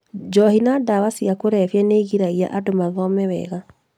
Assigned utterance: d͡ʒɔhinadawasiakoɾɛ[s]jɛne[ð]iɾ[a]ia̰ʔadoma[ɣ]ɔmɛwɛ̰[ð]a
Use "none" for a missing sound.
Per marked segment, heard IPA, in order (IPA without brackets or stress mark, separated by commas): f, ɣ, a, ð, ɣ